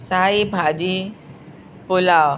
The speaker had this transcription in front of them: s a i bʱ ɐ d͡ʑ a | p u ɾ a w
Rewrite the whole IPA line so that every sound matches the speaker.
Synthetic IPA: s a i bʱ a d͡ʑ i | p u l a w